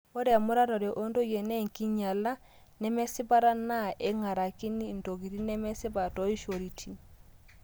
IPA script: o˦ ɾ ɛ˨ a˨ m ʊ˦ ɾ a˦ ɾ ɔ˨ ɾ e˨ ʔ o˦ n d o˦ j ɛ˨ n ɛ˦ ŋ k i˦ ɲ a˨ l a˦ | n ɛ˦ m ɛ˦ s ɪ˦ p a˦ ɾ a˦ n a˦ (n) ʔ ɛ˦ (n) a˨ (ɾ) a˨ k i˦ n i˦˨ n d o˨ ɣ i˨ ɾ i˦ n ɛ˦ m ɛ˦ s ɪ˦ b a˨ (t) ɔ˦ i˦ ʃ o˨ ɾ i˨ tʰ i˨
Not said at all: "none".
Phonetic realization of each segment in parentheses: none, ŋ, ɾ, t

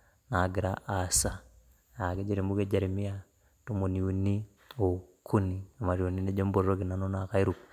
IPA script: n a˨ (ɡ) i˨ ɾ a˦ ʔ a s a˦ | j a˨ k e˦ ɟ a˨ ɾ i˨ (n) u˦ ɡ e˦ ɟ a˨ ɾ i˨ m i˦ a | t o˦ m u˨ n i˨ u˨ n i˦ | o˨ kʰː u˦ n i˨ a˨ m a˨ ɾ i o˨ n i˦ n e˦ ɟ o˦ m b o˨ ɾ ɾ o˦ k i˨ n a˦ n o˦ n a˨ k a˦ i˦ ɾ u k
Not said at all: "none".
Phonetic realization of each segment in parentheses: ɡ, m

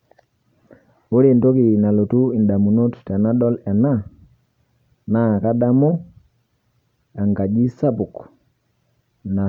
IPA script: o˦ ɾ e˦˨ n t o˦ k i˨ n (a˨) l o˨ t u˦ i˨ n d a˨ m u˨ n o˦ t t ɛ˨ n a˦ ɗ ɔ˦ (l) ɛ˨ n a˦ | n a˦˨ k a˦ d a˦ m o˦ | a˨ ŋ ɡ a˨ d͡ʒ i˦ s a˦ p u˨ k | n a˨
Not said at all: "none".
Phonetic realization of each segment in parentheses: a˨, l

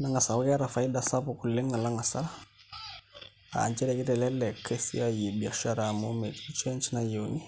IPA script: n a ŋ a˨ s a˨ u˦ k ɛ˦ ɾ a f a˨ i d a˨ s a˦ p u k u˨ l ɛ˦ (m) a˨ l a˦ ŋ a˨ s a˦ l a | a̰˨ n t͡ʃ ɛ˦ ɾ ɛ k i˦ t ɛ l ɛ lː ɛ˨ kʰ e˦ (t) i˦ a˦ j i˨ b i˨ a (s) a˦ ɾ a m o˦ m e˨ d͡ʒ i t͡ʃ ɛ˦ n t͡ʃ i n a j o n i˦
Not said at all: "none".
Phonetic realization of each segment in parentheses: ŋ, s, ʃ

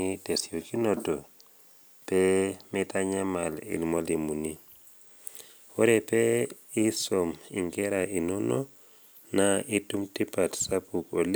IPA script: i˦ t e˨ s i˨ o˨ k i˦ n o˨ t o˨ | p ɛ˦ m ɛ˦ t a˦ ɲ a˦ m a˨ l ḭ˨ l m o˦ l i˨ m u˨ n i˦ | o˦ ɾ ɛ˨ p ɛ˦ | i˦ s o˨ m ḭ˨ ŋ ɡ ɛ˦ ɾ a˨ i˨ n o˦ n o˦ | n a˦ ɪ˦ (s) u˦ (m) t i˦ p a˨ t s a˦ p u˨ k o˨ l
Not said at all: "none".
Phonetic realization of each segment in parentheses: t, m

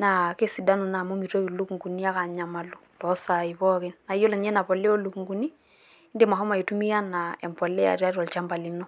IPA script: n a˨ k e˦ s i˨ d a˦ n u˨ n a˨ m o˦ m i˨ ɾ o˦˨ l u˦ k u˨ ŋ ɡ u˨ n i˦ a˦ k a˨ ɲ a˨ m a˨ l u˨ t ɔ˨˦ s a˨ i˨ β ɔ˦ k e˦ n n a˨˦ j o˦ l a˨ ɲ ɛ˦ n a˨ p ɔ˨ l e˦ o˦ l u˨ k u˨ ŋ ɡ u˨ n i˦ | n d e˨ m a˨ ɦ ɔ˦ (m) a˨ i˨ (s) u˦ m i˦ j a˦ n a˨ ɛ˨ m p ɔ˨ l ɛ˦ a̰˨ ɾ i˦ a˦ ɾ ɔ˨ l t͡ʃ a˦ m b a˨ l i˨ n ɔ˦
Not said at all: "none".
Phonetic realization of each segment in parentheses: m, t

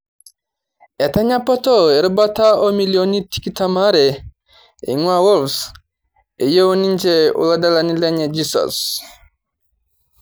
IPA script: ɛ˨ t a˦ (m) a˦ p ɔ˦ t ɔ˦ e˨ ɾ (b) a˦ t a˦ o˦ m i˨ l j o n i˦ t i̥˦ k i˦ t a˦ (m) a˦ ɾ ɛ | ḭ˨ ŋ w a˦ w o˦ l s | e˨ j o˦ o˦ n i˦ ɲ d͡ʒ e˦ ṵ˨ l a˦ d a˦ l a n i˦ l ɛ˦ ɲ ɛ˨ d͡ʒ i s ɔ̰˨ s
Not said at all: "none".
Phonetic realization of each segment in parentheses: ɲ, b, m

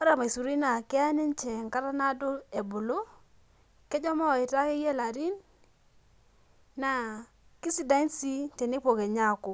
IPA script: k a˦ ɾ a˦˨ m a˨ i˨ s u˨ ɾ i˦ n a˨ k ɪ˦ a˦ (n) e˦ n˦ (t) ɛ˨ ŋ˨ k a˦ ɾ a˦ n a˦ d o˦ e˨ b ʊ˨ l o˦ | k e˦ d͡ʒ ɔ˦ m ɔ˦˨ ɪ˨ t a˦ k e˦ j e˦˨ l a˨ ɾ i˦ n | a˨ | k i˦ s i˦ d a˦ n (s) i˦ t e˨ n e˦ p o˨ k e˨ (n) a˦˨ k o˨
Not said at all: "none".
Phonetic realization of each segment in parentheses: n, t͡ʃ, s, ɲ

